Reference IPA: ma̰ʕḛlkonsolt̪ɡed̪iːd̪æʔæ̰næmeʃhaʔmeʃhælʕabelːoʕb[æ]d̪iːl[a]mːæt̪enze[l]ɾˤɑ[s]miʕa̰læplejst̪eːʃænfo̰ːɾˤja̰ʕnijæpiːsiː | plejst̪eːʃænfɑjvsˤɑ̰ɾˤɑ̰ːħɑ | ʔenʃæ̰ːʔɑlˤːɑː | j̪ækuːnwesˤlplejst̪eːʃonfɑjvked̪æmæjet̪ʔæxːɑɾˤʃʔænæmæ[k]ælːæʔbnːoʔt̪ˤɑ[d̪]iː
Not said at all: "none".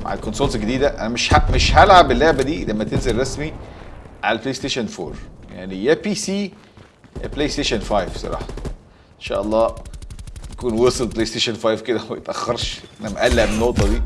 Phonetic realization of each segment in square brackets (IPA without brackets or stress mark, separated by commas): æ, æ, l, s, ʔ, d̪